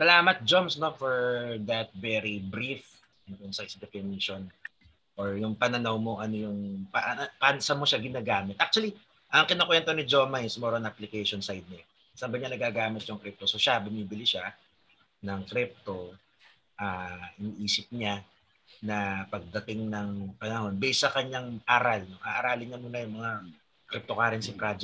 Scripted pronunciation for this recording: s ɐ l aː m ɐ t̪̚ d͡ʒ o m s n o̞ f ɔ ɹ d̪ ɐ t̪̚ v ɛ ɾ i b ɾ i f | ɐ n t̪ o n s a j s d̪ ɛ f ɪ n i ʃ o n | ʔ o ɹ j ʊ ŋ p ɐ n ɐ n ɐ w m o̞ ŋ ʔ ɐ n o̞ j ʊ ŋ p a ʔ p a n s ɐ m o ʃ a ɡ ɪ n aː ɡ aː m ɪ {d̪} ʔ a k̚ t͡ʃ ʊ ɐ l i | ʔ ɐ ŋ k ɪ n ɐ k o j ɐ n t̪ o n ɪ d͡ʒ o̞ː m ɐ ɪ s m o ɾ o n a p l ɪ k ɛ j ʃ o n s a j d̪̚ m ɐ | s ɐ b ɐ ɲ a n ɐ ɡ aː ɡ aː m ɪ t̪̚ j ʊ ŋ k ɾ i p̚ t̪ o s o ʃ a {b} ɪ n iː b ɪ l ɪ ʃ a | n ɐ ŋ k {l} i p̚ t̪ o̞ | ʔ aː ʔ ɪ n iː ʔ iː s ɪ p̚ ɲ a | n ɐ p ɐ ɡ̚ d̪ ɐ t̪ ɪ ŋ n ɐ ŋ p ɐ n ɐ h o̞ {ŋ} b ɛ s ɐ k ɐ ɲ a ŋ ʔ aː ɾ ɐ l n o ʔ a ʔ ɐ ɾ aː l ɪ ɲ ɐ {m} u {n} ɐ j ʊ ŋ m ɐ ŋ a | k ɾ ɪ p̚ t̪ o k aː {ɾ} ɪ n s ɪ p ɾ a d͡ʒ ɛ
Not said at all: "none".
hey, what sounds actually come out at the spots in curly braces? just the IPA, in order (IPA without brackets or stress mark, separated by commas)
t̪, b, ɾ, n, m, n, ɾ